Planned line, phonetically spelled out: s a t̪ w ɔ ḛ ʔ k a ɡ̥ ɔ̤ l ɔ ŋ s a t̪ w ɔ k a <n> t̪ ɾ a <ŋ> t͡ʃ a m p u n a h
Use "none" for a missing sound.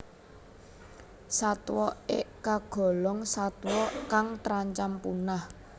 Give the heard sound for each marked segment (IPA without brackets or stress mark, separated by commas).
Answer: ŋ, ɲ